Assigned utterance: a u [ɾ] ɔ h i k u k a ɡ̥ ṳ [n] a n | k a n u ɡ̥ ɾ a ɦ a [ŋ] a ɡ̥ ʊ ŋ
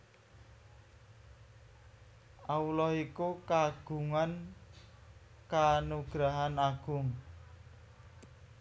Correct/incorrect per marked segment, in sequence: incorrect: l, incorrect: ŋ, incorrect: n

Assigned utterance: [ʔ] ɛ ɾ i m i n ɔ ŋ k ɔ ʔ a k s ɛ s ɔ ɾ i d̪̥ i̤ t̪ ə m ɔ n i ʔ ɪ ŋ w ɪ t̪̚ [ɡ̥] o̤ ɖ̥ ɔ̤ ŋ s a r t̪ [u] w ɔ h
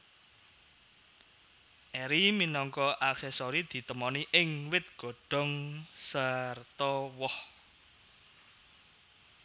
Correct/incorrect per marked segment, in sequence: correct, correct, incorrect: ɔ

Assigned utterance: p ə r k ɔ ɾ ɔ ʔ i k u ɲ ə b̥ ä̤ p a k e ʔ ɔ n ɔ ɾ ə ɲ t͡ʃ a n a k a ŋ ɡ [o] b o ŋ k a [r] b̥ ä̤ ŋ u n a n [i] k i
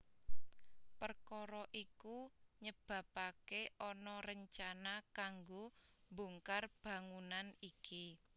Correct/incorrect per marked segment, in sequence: correct, correct, correct

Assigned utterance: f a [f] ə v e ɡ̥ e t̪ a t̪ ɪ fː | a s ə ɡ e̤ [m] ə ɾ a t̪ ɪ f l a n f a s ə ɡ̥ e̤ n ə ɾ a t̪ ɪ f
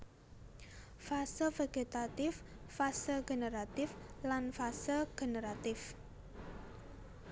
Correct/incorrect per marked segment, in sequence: incorrect: s, incorrect: n

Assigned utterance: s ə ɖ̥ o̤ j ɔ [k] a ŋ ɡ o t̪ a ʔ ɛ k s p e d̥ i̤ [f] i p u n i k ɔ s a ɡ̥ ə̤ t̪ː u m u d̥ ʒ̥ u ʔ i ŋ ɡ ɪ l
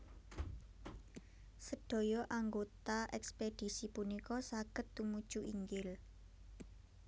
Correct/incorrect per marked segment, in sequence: incorrect: ʔ, incorrect: s

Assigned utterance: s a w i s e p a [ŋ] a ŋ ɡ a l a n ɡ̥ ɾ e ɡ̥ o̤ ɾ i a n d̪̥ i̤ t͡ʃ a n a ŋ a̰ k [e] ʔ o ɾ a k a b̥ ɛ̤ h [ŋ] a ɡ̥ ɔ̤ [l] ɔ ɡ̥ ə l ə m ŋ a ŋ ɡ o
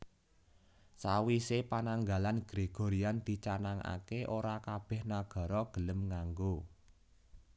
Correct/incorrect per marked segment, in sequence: incorrect: n, correct, incorrect: n, incorrect: ɾ

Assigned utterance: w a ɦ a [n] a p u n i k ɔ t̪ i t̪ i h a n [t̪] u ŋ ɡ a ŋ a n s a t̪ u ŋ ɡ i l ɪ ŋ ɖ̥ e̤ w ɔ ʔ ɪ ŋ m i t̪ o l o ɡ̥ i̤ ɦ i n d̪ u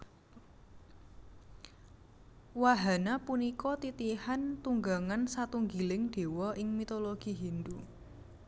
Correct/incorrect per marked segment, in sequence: correct, correct

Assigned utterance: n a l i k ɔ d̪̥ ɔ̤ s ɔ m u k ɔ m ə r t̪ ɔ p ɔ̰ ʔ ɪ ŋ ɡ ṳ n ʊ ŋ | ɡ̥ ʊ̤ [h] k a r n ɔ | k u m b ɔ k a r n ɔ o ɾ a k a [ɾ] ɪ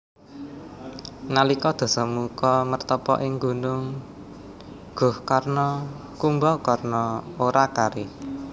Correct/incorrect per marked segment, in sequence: correct, correct

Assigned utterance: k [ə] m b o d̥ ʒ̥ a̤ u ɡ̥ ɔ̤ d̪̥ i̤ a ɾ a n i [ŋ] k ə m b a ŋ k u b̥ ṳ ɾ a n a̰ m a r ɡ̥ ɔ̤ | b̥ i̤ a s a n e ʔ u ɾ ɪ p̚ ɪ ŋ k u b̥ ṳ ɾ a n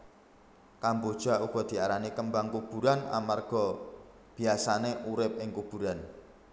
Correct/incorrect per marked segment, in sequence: incorrect: a, incorrect: none

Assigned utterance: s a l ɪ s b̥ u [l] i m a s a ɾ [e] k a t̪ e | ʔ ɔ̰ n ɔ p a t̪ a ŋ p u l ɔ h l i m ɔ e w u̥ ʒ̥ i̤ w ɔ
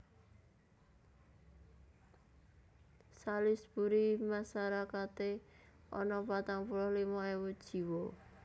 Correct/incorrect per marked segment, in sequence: incorrect: ɾ, incorrect: a

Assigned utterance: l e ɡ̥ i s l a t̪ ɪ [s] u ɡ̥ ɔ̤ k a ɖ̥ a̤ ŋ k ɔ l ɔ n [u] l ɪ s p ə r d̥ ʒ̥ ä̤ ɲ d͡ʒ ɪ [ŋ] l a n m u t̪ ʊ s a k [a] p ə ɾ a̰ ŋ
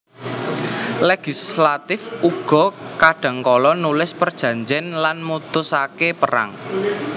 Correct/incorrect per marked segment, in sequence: incorrect: f, correct, incorrect: n, incorrect: e

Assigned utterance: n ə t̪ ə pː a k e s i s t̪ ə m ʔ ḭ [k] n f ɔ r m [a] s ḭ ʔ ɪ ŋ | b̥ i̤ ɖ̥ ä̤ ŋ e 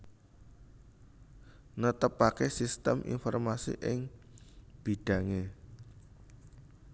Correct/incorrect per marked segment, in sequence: incorrect: none, correct

